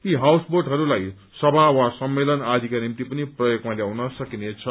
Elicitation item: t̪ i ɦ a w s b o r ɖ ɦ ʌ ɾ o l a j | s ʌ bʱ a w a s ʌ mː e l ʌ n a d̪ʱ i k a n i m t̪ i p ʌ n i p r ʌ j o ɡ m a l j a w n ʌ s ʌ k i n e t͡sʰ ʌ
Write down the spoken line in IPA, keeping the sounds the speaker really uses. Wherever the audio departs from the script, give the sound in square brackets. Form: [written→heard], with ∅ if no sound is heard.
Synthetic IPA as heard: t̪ i ɦ a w s b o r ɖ ɦ ʌ ɾ [o→u] l a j | s ʌ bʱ a w a s ʌ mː e l ʌ n a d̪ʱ i k a n i m t̪ i p ʌ n i p r ʌ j o ɡ m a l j a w n ʌ s ʌ k i n e t͡sʰ ʌ